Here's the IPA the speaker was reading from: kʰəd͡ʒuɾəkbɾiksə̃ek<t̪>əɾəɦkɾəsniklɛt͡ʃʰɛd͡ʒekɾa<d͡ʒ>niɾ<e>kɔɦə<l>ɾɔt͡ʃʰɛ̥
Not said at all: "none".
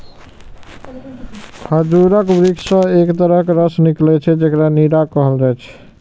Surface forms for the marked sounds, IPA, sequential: t̪, none, a, l

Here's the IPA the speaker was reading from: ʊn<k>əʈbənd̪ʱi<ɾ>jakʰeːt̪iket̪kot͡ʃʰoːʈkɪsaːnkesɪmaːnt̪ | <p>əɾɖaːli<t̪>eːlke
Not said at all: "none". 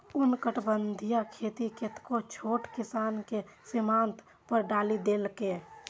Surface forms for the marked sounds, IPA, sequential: k, none, p, d̪

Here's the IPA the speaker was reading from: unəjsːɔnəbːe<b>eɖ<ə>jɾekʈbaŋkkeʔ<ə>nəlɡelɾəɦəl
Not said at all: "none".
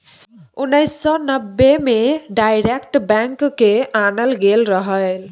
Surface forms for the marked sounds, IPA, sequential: m, a, a

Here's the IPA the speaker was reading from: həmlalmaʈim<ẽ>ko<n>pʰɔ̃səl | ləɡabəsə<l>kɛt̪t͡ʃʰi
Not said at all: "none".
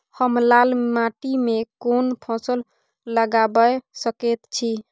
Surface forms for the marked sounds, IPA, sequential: e, n, none

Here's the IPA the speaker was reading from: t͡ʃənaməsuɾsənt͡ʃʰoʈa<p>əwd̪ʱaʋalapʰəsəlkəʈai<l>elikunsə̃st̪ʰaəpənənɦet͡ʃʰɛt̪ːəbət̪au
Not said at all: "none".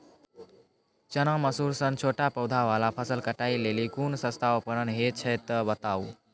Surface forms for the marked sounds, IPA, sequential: p, l

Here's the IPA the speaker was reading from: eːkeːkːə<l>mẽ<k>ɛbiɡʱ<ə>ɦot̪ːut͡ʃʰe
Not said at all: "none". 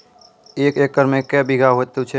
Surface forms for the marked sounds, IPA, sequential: ɾ, k, a

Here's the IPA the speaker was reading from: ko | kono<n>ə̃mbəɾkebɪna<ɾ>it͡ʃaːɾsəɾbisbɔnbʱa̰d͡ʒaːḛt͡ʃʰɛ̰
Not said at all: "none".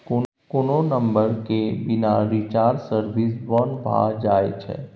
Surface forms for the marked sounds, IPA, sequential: n, ɾ

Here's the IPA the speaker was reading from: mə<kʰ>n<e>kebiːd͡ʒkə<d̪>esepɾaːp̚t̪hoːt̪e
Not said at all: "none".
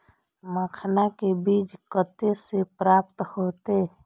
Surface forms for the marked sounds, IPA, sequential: kʰ, a, t̪

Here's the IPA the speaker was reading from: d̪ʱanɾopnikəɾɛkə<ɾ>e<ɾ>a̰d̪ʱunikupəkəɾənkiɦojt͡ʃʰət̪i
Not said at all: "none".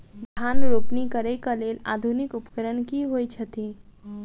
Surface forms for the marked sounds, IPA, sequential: l, l

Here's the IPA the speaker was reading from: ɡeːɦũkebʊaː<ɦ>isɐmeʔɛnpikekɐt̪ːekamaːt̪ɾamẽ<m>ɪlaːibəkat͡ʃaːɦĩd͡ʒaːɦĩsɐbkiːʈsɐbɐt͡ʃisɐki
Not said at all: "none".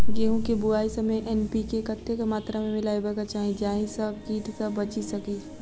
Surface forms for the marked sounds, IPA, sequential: none, m

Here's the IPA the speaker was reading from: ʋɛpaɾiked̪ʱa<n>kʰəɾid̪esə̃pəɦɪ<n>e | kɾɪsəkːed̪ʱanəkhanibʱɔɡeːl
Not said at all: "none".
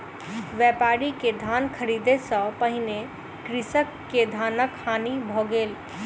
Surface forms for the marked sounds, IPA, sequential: n, n

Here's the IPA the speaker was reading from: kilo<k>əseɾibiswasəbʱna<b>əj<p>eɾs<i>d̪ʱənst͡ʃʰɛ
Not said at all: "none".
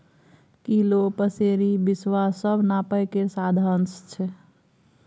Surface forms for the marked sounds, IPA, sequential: p, p, k, a

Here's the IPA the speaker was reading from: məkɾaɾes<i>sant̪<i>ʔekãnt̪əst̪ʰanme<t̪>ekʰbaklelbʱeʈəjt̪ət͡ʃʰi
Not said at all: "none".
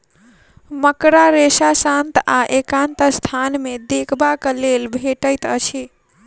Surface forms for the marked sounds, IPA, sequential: a, a, d̪

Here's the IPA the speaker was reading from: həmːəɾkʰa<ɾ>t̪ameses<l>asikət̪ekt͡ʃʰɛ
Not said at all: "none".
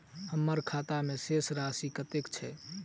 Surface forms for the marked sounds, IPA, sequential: none, ɾ

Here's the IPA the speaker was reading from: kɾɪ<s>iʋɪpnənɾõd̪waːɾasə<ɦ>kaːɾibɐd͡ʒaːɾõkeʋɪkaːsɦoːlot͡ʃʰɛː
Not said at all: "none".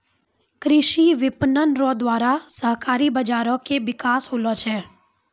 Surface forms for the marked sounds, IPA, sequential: ʃ, ɦ

